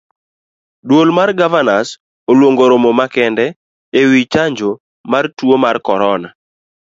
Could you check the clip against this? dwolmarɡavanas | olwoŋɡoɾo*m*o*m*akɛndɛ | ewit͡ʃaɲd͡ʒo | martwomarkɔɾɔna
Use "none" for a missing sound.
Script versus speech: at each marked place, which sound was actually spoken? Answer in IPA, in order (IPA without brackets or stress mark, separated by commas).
m, m